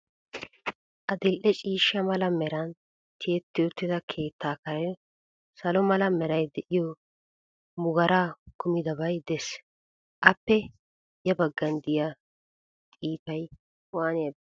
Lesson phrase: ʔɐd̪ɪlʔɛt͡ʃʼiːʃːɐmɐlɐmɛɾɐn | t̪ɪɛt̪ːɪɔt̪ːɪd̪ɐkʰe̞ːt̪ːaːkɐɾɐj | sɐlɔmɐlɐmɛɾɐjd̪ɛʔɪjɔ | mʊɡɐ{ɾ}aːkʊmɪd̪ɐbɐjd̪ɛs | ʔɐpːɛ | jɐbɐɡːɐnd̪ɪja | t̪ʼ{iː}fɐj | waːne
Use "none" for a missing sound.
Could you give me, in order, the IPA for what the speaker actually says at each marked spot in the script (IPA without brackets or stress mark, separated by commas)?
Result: ɾ, iː